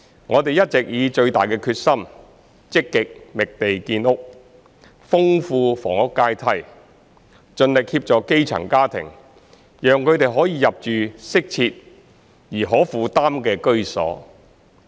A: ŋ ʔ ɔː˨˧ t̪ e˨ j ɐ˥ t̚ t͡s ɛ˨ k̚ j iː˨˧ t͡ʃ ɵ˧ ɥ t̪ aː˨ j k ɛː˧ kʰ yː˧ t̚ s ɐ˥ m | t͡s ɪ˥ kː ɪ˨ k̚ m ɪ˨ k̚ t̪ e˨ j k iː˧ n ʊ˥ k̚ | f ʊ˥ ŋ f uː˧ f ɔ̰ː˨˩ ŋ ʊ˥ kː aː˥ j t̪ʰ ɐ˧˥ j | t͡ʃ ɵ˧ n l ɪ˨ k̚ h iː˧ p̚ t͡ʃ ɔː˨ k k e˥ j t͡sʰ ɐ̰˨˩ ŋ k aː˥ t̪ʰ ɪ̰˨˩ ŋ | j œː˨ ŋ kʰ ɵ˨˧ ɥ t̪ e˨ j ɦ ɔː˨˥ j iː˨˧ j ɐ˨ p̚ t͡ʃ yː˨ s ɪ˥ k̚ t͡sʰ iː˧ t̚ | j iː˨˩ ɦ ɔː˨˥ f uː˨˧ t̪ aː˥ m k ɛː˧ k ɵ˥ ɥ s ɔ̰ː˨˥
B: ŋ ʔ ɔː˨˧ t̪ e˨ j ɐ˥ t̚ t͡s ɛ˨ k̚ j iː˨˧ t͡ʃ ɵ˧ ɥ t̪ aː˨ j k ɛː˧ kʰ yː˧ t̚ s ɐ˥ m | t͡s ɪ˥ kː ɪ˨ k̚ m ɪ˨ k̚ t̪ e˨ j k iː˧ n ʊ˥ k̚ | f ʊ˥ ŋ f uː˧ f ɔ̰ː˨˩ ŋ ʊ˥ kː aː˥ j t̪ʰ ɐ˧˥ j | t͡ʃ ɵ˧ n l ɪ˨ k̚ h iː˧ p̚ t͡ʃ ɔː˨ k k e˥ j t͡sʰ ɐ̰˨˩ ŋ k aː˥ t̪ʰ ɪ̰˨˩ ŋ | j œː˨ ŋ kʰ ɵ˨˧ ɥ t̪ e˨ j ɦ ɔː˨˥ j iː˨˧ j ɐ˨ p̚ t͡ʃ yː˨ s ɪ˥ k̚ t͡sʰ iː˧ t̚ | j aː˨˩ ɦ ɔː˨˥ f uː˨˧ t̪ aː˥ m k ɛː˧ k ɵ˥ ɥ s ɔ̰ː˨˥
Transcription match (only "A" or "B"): A